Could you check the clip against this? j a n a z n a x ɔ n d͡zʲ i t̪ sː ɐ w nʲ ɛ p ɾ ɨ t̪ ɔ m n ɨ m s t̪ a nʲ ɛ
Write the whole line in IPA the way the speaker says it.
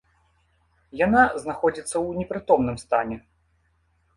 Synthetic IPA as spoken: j a n a z n a x ɔ d͡zʲ i t̪ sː ɐ w nʲ ɛ p ɾ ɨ t̪ ɔ m n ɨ m s t̪ a nʲ ɛ